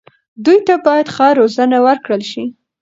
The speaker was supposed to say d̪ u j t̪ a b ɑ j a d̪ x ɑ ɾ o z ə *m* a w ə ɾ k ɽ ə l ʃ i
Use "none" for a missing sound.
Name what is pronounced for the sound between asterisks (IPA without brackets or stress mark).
n